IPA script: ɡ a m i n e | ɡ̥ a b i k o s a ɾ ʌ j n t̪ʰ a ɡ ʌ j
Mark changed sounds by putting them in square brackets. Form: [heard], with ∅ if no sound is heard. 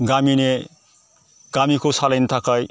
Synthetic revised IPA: ɡ a m i n e | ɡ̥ a [m] i k o s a [l] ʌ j n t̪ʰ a [k] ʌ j